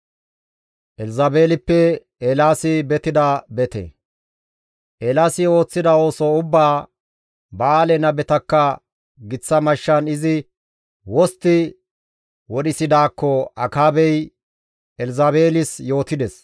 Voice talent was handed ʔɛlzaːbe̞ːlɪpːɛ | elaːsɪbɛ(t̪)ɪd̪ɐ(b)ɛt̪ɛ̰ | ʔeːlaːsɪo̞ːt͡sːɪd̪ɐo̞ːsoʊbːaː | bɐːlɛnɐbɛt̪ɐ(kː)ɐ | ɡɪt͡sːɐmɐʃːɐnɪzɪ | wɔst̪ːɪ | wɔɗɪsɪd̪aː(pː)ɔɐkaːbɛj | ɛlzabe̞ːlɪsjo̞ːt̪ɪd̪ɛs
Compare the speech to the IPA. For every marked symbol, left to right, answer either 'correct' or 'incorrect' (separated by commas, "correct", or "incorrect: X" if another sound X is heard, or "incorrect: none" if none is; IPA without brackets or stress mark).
correct, correct, correct, incorrect: kː